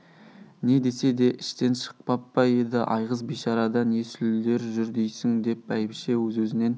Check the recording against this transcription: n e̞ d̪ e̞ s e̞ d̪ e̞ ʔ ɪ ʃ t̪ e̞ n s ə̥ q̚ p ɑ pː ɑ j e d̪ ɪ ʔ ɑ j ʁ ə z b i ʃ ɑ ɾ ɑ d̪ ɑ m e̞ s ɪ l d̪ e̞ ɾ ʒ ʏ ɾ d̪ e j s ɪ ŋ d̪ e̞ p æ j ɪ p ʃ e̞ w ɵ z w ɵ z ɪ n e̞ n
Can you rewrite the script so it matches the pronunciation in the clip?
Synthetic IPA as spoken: n e̞ d̪ e̞ s e̞ d̪ e̞ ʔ ɪ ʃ t̪ e̞ n ʃ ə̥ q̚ p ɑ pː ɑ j e d̪ ɪ ʔ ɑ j ʁ ə z b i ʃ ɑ ɾ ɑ d̪ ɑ n e̞ s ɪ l d̪ e̞ ɾ ʒ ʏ ɾ d̪ e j s ɪ ŋ d̪ e̞ p æ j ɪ p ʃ e̞ w ɵ z w ɵ z ɪ n e̞ n